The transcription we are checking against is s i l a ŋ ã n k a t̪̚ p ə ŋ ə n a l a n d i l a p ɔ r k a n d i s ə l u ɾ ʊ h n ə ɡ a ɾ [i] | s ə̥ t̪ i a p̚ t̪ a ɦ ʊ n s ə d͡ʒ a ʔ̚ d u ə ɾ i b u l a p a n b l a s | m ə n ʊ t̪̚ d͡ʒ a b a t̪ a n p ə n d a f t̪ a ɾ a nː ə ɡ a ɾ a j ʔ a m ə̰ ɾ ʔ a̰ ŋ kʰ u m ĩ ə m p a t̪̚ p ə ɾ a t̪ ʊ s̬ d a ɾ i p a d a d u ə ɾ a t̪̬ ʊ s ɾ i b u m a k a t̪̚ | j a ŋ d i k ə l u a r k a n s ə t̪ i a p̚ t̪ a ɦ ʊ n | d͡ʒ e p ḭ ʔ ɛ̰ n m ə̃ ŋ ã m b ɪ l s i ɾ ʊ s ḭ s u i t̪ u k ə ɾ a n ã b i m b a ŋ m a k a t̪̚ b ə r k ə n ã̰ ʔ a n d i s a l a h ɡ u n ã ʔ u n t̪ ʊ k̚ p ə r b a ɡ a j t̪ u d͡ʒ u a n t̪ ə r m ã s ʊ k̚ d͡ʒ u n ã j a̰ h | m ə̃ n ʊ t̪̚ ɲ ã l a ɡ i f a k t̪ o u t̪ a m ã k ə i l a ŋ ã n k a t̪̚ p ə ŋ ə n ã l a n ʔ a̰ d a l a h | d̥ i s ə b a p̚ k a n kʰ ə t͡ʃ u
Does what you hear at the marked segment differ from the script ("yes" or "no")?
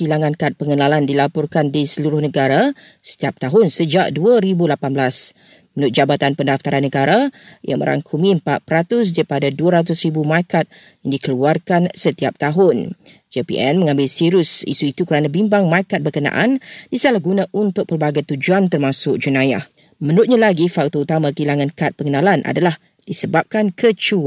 yes